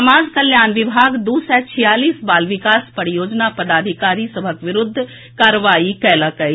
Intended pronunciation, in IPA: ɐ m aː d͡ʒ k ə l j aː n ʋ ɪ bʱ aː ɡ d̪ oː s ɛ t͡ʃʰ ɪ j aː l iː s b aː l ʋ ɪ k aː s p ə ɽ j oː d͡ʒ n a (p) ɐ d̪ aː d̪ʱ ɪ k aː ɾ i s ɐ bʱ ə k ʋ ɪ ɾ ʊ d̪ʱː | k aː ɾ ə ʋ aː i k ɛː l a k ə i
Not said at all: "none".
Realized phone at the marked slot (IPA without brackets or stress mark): p